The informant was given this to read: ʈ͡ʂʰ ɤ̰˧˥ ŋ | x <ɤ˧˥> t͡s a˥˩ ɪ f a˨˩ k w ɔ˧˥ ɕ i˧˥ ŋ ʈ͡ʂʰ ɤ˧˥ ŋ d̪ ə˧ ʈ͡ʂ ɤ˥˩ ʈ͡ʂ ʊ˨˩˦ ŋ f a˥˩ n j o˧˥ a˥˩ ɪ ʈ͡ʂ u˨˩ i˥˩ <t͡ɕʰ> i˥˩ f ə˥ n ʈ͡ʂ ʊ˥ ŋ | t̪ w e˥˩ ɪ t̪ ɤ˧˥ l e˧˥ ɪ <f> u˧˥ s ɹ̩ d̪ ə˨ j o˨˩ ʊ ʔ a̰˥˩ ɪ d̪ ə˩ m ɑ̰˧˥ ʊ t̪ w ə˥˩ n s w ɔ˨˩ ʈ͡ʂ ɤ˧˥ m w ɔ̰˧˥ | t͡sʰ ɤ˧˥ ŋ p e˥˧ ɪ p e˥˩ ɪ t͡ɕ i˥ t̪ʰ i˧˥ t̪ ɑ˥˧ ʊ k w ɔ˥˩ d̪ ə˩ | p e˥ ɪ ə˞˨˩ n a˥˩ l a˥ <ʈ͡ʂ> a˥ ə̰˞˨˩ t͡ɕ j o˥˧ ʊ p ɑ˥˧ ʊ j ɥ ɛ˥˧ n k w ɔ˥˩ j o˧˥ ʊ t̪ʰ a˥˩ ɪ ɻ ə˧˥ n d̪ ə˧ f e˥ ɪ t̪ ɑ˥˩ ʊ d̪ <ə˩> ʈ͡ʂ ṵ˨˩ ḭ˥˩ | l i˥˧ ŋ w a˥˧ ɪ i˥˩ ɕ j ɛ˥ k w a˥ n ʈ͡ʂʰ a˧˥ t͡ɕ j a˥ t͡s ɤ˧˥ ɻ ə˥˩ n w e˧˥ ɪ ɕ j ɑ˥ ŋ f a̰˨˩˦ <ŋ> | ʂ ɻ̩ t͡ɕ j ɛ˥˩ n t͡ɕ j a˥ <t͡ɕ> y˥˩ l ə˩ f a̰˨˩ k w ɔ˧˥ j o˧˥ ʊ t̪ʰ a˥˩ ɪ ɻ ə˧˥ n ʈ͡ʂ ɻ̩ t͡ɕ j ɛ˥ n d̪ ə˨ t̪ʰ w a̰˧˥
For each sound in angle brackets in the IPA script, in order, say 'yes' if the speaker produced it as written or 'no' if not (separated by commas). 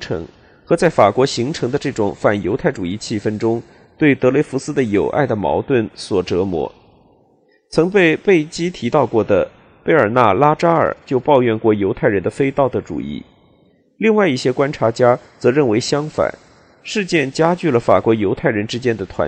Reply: yes, yes, yes, yes, yes, no, yes